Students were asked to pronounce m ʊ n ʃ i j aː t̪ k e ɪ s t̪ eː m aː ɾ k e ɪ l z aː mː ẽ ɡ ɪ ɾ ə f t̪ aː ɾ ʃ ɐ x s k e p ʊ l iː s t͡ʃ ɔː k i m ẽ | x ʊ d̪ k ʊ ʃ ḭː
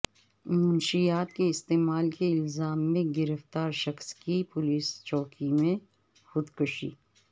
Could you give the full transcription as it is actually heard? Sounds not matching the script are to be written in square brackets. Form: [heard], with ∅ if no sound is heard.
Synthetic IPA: m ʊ n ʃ i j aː t̪ k e ɪ s t̪ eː m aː [l] k e ɪ l z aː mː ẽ ɡ ɪ ɾ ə f t̪ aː ɾ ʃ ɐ x s k [i] p ʊ l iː s t͡ʃ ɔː k i m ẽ | x ʊ d̪ k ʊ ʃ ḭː